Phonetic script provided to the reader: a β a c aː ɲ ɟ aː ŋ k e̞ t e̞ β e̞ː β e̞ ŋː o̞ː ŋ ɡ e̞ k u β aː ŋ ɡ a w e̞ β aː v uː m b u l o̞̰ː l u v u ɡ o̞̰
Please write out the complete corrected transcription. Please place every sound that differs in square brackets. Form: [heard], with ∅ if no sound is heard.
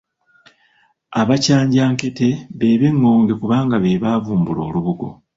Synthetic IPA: a β a c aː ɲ ɟ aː ŋ k e̞ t e̞ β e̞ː β e̞ ŋː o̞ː ŋ ɡ e̞ k u β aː ŋ ɡ a [β] e̞ β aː v uː m b u l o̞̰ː l u [β] u ɡ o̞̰